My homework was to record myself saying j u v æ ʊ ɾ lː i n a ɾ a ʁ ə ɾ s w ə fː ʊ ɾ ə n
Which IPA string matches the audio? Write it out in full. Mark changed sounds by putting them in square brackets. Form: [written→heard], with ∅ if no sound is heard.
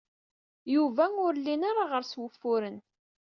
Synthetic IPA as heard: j u v æ ʊ ɾ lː i n a ɾ a ʁ ə ɾ s w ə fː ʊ ɾ ə n